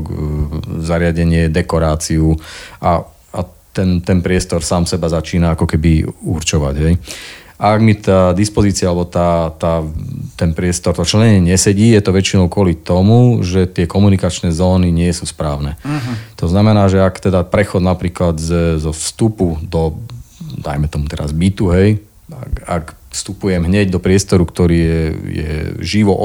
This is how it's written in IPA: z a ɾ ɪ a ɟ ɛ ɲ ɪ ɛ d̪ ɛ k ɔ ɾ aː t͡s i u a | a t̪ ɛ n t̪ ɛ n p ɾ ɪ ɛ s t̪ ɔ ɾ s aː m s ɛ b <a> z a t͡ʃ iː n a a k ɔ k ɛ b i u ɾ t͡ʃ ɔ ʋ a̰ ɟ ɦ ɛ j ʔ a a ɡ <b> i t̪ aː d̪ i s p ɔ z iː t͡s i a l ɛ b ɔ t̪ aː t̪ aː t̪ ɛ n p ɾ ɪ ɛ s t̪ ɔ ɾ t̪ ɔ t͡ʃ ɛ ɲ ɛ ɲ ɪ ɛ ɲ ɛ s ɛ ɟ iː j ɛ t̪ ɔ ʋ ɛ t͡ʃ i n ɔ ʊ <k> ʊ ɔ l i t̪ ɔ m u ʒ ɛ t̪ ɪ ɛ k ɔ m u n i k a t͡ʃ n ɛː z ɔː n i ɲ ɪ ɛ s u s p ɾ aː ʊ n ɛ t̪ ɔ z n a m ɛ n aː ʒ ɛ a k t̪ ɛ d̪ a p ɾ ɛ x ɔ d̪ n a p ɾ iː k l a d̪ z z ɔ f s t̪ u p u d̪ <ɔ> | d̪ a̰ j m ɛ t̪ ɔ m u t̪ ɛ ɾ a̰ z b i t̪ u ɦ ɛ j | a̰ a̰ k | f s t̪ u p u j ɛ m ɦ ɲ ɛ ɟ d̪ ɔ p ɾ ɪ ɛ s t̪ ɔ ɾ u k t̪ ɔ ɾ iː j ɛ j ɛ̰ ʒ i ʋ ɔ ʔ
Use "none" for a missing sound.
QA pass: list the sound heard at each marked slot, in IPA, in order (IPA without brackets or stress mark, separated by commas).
a, m, k, ɔ